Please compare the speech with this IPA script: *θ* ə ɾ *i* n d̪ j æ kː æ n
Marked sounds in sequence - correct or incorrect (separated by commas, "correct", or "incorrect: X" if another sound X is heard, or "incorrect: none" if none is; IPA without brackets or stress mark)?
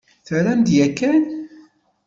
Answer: correct, incorrect: æ